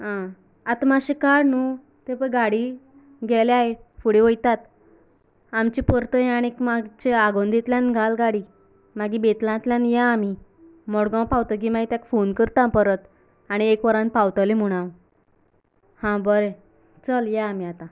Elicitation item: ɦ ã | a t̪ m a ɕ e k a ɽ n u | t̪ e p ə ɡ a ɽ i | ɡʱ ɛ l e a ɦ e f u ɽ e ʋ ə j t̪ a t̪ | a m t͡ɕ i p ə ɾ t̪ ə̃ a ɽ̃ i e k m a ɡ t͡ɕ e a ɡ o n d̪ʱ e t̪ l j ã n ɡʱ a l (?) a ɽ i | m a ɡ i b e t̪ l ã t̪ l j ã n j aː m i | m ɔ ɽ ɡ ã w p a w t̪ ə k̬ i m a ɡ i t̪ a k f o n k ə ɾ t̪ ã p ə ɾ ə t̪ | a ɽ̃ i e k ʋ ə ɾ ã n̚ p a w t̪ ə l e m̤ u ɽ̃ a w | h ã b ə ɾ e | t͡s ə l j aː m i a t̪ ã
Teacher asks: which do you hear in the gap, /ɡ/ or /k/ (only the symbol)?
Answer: ɡ